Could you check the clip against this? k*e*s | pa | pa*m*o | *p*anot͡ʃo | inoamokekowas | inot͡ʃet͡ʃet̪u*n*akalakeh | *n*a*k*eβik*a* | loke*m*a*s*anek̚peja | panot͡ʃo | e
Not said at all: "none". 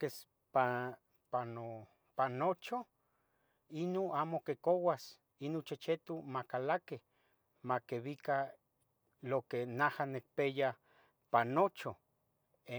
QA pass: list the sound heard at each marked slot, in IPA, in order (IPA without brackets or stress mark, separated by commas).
e, n, p, m, m, k, a, n, h